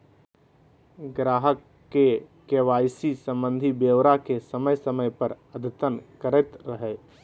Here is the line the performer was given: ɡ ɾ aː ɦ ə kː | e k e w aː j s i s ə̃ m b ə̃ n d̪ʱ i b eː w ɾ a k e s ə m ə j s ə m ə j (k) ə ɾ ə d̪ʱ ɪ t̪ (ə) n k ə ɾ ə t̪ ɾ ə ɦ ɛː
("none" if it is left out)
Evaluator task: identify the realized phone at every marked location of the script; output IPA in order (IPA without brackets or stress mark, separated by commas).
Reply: p, ə